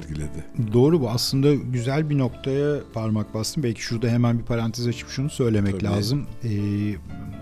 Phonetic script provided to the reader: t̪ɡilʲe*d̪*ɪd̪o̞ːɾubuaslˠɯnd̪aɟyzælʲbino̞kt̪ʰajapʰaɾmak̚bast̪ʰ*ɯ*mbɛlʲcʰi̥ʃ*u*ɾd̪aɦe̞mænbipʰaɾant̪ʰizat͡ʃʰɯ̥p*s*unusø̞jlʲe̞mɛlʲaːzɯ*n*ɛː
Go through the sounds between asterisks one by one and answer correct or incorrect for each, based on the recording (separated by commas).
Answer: correct, correct, correct, incorrect, incorrect